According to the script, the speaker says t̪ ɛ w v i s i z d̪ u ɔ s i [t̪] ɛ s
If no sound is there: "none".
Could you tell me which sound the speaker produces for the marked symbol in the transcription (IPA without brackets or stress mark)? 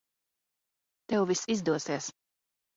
none